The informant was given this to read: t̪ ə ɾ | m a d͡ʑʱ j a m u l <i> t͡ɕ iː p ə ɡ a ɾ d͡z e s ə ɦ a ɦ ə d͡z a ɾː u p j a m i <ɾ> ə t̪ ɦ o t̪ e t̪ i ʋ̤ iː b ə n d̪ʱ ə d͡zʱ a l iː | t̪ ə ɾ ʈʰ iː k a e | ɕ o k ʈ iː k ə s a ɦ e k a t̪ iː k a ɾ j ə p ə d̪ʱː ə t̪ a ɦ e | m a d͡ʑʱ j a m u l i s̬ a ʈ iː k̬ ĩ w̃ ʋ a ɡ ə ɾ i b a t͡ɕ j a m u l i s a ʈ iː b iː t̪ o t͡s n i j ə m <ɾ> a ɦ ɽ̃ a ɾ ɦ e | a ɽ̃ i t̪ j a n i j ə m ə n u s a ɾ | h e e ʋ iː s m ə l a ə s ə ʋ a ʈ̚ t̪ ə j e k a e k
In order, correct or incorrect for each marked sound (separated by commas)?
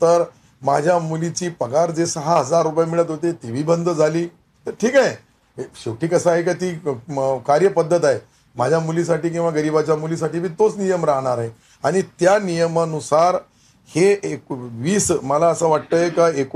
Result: correct, incorrect, correct